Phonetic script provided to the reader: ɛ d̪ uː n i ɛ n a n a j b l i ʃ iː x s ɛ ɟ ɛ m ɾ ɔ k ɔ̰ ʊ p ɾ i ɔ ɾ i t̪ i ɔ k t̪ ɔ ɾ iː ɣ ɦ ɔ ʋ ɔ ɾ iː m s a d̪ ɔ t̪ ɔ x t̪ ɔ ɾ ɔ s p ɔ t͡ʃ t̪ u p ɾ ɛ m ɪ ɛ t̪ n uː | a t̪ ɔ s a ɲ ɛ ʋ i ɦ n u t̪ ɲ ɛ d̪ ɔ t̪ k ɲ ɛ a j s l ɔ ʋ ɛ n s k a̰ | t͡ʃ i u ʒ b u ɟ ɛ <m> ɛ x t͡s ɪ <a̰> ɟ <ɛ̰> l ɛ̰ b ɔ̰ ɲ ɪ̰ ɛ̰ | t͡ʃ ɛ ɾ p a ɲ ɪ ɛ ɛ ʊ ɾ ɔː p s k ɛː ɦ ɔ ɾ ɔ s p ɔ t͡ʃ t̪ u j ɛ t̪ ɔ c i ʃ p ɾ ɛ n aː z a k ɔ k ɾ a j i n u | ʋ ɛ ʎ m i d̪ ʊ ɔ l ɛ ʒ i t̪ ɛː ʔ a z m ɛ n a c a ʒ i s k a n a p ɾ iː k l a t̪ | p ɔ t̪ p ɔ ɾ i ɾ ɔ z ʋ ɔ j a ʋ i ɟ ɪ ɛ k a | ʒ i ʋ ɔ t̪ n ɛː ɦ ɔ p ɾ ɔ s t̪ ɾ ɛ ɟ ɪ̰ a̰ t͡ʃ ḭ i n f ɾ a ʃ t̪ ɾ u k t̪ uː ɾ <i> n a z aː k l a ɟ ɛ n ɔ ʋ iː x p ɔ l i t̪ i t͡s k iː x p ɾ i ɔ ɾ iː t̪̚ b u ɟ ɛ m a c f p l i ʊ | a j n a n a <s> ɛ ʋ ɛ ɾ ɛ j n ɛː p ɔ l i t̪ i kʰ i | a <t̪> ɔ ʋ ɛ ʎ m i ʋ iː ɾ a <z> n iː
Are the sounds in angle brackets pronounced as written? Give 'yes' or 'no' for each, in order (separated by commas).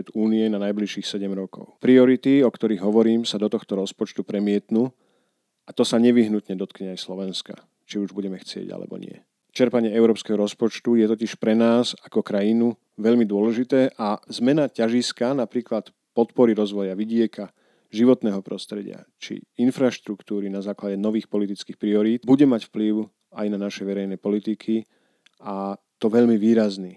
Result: yes, no, no, yes, no, yes, yes